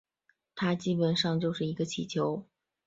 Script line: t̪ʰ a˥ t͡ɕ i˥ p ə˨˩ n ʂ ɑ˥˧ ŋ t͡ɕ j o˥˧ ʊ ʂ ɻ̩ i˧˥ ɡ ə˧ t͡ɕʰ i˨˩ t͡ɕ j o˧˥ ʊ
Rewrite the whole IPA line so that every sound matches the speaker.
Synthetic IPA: t̪ʰ a˥ t͡ɕ i˥ p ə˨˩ n ʂ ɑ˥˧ ŋ t͡ɕ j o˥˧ ʊ ʂ ɻ̩ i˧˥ ɡ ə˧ t͡ɕʰ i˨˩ t͡ɕʰ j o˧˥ ʊ